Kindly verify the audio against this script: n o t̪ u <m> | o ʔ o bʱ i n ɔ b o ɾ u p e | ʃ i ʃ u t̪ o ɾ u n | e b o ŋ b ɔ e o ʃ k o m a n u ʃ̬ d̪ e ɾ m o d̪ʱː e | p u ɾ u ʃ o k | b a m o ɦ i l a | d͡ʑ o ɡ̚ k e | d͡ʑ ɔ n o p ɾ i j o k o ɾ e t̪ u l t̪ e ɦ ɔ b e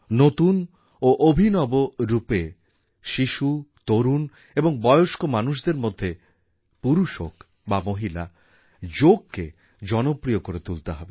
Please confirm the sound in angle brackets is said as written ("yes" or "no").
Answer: no